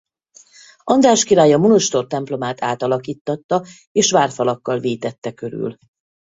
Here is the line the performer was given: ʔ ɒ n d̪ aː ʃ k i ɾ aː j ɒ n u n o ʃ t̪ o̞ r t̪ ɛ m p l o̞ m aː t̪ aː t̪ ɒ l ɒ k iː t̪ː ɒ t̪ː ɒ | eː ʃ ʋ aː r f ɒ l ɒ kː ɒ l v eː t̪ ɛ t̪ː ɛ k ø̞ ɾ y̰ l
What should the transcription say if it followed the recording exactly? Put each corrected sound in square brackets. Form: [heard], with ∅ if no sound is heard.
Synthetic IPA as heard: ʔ ɒ n d̪ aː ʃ k i ɾ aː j ɒ [m] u n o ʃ t̪ o̞ r t̪ ɛ m p l o̞ m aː t̪ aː t̪ ɒ l ɒ k iː t̪ː ɒ t̪ː ɒ | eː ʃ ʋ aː r f ɒ l ɒ kː ɒ l v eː t̪ ɛ t̪ː ɛ k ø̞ ɾ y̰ l